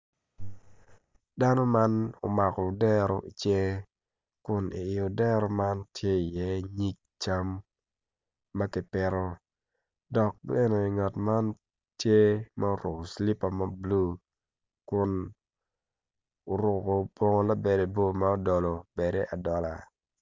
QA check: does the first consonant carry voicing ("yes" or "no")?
yes